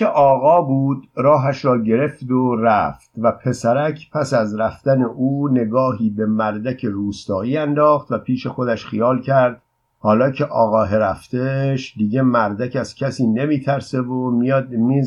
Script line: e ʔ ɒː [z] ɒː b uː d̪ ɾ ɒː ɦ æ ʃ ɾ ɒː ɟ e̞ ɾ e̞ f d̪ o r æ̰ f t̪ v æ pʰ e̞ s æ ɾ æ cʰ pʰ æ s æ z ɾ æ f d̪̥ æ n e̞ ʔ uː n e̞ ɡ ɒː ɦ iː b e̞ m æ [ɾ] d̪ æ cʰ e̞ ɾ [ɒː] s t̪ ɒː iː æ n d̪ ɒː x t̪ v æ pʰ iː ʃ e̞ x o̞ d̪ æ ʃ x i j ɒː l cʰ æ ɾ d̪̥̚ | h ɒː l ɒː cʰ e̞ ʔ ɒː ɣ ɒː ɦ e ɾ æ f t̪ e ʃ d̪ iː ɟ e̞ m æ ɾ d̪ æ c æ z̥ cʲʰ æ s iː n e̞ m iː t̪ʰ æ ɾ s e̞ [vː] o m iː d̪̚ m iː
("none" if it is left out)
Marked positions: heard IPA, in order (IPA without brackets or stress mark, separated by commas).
ɣ, ɾ, uː, v